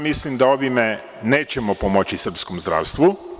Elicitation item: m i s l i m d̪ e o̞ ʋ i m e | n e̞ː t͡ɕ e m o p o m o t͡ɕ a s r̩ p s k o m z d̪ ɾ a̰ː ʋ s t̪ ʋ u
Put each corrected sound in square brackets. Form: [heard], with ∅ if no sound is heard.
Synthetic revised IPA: m i s l i m d̪ [a] o̞ ʋ i m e | n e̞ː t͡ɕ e m o p o m o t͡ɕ [i] s r̩ p s k o m z d̪ ɾ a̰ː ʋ s t̪ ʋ u